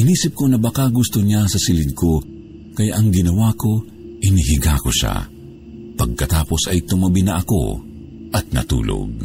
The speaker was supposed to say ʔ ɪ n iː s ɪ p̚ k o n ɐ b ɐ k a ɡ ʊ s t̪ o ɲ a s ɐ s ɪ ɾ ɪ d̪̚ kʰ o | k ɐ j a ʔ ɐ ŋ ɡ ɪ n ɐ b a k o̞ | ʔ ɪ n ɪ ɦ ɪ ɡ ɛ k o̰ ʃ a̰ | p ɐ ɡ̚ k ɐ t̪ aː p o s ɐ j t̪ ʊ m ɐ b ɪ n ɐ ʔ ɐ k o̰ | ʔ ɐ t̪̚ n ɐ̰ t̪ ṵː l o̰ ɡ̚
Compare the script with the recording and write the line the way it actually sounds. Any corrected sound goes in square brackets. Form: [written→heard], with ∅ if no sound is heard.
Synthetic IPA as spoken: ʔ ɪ n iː s ɪ p̚ k o n ɐ b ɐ k a ɡ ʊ s t̪ o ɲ a s ɐ s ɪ [ɾ→l] ɪ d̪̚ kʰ o | k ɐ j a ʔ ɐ ŋ ɡ ɪ n ɐ [b→w] a k o̞ | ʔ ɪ n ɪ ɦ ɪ ɡ [ɛ→a] k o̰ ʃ a̰ | p ɐ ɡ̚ k ɐ t̪ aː p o s ɐ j t̪ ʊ m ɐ b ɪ n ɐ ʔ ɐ k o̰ | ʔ ɐ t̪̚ n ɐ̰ t̪ ṵː l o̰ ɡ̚